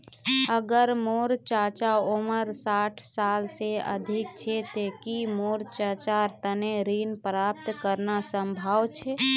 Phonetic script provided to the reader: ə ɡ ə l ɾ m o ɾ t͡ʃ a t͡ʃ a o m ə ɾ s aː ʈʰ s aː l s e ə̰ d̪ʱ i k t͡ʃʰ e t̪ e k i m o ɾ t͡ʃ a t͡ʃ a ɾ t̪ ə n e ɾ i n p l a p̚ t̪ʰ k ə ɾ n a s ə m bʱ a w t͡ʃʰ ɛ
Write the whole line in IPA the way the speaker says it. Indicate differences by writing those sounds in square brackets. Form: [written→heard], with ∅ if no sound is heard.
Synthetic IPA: ə ɡ ə [l→∅] ɾ m o ɾ t͡ʃ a t͡ʃ a o m ə ɾ s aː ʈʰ s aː l s e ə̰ d̪ʱ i k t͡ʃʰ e t̪ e k i m o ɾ t͡ʃ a t͡ʃ a ɾ t̪ ə n e ɾ i n p [l→ɾ] a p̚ [t̪ʰ→t̪] k ə ɾ n a s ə m bʱ a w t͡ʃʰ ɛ

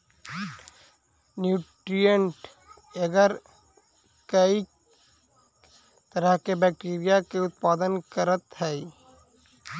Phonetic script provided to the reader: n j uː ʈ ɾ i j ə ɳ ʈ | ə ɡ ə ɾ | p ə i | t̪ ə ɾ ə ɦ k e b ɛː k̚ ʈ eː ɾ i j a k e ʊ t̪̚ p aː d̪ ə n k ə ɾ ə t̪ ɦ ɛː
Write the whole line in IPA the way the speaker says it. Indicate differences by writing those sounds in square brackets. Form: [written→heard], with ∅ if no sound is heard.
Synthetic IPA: n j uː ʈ ɾ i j ə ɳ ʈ | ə ɡ ə ɾ | [p→k] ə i | t̪ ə ɾ ə ɦ k e b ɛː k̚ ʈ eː ɾ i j a k e ʊ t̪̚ p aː d̪ ə n k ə ɾ ə t̪ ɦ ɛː

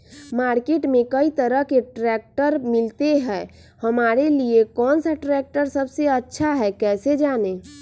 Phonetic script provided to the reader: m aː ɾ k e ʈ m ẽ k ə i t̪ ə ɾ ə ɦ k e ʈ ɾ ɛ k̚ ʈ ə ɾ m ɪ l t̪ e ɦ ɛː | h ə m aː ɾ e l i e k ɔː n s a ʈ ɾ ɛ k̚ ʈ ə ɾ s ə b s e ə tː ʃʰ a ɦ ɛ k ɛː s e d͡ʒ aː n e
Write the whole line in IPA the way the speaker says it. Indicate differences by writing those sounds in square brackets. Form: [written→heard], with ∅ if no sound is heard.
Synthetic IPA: m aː ɾ k e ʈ m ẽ k ə i t̪ ə ɾ ə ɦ k e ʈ ɾ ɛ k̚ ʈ ə ɾ m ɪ l t̪ e ɦ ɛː | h ə m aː ɾ e l i e k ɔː n s a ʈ ɾ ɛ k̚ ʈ ə ɾ s ə b s e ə tː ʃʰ a ɦ ɛ k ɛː s e d͡ʒ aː n e

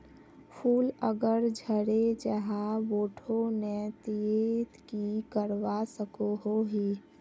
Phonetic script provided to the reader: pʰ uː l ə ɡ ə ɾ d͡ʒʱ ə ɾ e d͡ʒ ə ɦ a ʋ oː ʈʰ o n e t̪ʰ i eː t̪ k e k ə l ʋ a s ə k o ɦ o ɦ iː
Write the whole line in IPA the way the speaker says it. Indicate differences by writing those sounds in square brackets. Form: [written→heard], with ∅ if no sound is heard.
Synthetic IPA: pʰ uː l ə ɡ ə ɾ d͡ʒʱ ə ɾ e d͡ʒ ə ɦ a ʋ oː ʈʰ o n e [t̪ʰ→t̪] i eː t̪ k [e→i] k ə [l→ɾ] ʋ a s ə k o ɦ o ɦ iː

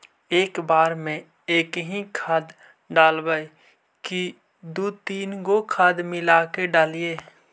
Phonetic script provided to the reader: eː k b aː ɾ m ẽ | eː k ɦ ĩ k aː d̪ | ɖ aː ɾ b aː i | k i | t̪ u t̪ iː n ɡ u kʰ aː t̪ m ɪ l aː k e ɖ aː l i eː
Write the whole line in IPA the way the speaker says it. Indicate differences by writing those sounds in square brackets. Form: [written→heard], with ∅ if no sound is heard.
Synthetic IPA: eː k b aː ɾ m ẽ | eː k ɦ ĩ [k→kʰ] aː d̪ | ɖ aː [ɾ→l] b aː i | k i | [t̪→d̪] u t̪ iː n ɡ [u→o] kʰ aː [t̪→d̪] m ɪ l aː k e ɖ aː l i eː

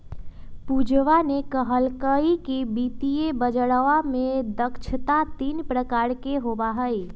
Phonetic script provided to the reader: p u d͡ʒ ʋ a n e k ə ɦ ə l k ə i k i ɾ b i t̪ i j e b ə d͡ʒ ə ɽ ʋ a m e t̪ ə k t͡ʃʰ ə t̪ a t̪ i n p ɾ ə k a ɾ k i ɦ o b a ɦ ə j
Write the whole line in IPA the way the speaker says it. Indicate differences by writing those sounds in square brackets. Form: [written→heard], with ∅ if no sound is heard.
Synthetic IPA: p u d͡ʒ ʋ a n e k ə ɦ ə l k ə i k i [ɾ→∅] b i t̪ i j e b ə d͡ʒ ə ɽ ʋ a m e [t̪→d̪] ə k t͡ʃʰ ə t̪ a t̪ i n p ɾ ə k a ɾ k [i→e] ɦ o b a ɦ ə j

